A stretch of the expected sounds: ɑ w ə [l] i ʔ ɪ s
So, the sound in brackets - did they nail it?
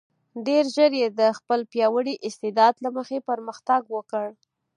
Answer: no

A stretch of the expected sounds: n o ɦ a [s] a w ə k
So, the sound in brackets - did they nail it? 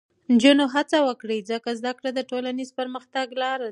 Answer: no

